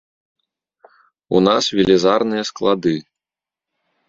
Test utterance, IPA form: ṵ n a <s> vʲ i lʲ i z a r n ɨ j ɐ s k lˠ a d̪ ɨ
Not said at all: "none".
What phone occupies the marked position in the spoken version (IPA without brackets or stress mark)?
s